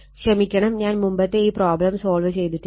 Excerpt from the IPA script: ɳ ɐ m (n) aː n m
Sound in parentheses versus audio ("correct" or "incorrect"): incorrect